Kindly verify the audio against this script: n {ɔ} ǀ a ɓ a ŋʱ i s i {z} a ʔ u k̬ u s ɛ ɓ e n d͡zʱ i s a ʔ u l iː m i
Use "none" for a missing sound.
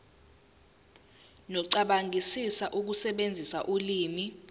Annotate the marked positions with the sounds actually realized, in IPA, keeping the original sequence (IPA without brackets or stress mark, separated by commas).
ɔ, s